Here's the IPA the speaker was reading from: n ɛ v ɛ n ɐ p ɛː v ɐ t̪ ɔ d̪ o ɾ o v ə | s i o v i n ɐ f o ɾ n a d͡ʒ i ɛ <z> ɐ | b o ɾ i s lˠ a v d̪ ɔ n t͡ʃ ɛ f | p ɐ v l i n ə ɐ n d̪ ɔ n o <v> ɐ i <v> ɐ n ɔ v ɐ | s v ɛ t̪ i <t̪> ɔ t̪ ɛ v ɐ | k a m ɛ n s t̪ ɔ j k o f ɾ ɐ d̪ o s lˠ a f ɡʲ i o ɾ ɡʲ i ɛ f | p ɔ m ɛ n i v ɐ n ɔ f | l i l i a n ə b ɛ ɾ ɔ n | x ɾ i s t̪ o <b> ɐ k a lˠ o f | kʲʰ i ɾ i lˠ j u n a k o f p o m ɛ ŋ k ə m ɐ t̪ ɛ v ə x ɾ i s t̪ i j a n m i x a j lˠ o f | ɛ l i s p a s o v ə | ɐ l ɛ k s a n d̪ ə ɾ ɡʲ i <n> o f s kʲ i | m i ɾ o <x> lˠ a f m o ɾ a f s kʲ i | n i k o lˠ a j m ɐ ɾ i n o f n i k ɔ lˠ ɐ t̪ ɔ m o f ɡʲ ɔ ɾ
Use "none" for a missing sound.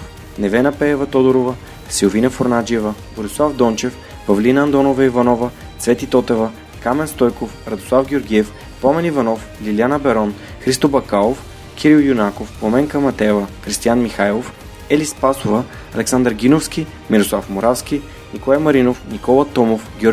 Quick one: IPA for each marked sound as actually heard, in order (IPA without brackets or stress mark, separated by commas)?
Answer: v, v, v, t̪, b, n, s